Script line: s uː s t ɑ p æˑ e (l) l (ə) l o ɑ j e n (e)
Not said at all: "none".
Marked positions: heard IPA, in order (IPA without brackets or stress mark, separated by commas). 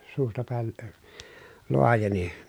l, ə, i